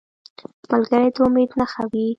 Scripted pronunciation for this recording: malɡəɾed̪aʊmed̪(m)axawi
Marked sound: incorrect: n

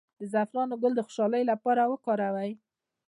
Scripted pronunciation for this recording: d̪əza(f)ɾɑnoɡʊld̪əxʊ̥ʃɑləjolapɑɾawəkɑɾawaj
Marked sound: correct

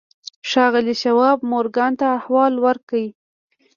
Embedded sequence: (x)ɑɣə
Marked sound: incorrect: ʃ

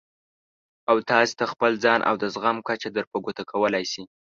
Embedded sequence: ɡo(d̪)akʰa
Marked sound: incorrect: t̪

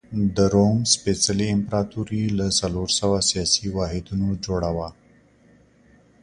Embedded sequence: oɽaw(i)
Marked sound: incorrect: a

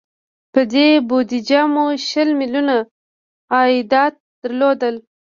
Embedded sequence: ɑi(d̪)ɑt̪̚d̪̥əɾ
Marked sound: correct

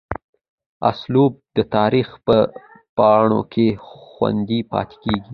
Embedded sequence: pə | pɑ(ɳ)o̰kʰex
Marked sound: correct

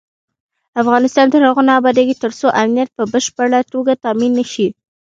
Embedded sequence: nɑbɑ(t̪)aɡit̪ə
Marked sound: incorrect: d̪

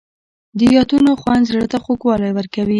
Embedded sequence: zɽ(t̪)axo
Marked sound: correct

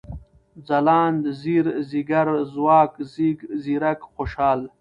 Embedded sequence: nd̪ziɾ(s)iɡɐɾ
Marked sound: incorrect: z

